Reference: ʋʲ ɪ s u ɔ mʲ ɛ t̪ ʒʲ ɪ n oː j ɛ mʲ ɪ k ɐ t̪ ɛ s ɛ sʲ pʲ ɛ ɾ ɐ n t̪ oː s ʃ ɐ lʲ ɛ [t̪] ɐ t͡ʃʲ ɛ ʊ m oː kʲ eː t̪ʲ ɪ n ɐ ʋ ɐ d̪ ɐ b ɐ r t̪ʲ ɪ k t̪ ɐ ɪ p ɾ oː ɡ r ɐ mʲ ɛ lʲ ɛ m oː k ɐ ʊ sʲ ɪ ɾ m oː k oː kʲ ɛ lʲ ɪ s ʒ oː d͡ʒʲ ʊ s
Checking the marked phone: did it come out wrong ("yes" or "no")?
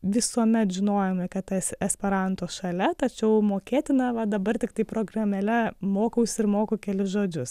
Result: no